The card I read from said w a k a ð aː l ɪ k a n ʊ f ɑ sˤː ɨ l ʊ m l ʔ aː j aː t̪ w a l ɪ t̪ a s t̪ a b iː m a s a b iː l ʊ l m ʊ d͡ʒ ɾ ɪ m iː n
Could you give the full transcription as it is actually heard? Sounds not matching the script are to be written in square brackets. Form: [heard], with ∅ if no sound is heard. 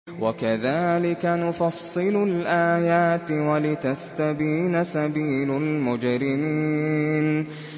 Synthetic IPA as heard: w a k a ð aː l ɪ k a n ʊ f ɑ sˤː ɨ l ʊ [∅] l ʔ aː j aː t̪ w a l ɪ t̪ a s t̪ a b iː [n] a s a b iː l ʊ l m ʊ d͡ʒ ɾ ɪ m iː n